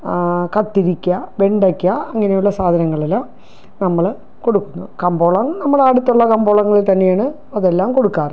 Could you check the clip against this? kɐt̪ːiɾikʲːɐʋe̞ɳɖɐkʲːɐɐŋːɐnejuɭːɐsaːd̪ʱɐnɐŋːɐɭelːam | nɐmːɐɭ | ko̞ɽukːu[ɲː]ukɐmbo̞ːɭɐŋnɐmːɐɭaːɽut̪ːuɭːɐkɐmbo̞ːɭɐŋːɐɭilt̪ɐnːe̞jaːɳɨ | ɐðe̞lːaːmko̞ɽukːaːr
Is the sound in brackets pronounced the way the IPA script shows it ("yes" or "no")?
no